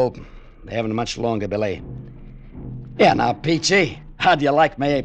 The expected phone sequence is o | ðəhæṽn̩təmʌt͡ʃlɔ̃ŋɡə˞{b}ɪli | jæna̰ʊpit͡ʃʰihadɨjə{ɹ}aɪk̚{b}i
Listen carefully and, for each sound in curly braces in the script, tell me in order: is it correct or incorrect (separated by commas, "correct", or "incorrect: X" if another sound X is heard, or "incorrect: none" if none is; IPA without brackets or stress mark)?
correct, incorrect: l, incorrect: m